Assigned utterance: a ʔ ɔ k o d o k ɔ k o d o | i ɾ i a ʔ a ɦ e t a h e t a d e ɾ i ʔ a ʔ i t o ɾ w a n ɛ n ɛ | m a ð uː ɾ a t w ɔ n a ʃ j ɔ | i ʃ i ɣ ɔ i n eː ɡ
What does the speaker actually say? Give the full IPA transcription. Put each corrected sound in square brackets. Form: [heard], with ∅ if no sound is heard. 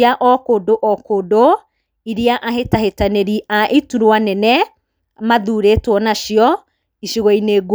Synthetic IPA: a ʔ ɔ k o d o [ʔ] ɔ k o d o | i ɾ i a ʔ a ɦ e t a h e t a [n] e ɾ i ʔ a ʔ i t [u] ɾ w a n ɛ n ɛ | m a ð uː ɾ [e] t w ɔ n a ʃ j ɔ | i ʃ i ɣ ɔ i n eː ɡ